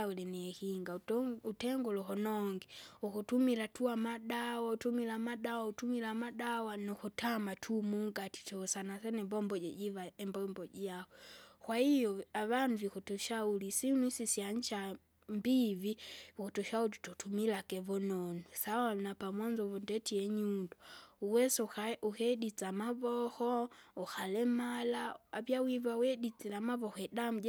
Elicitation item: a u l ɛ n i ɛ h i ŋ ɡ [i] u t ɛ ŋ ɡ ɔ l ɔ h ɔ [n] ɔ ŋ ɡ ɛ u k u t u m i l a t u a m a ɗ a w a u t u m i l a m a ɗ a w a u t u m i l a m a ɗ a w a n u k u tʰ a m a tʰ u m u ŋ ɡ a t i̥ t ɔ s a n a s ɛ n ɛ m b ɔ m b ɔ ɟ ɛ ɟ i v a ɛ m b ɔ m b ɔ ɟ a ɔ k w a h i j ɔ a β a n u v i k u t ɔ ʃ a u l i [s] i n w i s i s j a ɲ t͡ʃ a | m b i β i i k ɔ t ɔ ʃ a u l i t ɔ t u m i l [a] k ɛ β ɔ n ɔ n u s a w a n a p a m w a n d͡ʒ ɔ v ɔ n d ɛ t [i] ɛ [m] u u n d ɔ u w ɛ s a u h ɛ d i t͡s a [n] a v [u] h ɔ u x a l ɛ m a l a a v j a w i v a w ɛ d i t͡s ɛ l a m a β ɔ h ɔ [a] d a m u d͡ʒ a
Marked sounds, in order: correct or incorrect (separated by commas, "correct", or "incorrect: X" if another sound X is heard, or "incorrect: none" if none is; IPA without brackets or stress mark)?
incorrect: a, correct, correct, correct, correct, incorrect: ɲ, incorrect: m, incorrect: ɔ, incorrect: ɛ